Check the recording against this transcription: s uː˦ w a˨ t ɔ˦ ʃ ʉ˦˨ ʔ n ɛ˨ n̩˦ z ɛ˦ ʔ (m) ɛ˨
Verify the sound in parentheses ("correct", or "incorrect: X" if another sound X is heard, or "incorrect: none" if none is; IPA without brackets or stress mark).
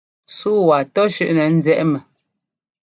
correct